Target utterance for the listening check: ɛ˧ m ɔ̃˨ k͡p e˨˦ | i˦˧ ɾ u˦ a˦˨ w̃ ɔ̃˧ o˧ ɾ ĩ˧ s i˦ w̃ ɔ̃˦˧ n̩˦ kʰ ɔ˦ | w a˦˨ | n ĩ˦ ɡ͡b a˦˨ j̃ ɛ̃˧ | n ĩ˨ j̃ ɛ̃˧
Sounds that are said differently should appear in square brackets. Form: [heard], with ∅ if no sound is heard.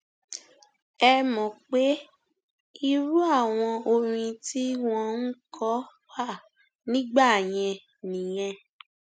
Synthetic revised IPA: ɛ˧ m ɔ̃˨ k͡p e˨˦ | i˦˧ ɾ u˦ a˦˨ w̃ ɔ̃˧ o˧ ɾ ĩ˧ [t] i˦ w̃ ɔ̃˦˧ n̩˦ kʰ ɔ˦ | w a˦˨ | n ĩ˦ ɡ͡b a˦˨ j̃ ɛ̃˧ | n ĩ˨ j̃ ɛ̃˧

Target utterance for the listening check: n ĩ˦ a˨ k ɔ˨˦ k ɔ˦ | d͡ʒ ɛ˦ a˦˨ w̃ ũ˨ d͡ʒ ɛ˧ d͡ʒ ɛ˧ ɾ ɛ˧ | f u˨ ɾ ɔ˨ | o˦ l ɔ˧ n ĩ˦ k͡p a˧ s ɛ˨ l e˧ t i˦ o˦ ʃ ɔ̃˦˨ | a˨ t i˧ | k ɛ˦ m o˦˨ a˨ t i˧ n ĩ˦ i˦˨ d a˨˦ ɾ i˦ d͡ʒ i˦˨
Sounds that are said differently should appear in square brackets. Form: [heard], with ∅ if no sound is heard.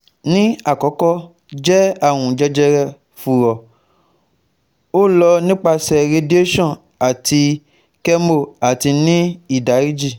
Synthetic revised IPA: n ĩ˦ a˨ k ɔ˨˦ k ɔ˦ | d͡ʒ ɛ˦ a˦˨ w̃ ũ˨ d͡ʒ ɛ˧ d͡ʒ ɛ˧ ɾ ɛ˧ | f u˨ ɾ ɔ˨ | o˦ l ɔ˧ n ĩ˦ k͡p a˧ s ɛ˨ [ɾ] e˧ [d] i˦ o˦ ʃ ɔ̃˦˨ | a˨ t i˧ | k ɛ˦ m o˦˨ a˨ t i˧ n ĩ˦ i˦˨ d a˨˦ ɾ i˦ d͡ʒ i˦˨

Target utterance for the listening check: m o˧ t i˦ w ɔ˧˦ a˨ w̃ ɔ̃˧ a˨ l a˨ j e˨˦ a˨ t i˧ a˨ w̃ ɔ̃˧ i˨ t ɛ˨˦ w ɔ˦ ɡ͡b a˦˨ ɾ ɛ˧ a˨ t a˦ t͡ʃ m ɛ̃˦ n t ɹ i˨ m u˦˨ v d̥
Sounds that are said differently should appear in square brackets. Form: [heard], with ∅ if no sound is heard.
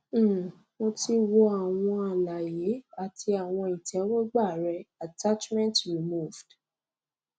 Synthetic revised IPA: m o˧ t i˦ w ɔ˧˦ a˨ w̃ ɔ̃˧ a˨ l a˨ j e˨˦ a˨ t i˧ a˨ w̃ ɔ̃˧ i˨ t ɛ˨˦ w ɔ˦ ɡ͡b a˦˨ ɾ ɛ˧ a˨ t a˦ t͡ʃ m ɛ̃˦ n t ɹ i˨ m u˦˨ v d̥

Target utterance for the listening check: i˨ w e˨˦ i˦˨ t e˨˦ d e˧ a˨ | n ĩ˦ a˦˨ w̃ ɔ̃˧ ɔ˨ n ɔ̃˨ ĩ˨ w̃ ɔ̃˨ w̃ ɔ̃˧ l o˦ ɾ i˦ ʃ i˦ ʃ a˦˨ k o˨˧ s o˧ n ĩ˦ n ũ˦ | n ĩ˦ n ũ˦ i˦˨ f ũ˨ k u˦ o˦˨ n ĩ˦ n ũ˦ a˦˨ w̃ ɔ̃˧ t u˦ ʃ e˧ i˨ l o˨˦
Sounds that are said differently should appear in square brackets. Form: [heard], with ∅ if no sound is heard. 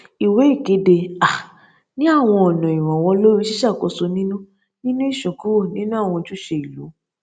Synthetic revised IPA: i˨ w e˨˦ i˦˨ [k] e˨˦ d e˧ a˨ | n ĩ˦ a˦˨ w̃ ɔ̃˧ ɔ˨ n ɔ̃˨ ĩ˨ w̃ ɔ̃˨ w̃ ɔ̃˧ l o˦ ɾ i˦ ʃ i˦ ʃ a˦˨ k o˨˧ s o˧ n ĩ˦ n ũ˦ | n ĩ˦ n ũ˦ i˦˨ [ʃ] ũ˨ k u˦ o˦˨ n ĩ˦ n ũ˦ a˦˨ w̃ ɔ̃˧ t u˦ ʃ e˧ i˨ l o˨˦

